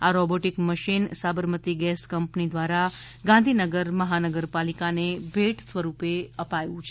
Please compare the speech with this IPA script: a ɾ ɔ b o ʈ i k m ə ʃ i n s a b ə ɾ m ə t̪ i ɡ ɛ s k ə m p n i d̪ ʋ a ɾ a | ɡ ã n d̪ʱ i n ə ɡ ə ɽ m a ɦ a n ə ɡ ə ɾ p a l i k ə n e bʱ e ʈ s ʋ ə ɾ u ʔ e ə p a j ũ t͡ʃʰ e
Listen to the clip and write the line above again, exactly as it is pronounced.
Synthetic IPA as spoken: a ɾ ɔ b o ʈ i k m ə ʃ i n s a b ə ɾ m ə t̪ i ɡ ɛ s k ə m p n i d̪ ʋ a ɾ a | ɡ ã n d̪ʱ i n ə ɡ ə ɾ m ə ɦ a n ə ɡ ə ɾ p a l i k a n e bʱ e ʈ s ʋ ə ɾ u p e ə p a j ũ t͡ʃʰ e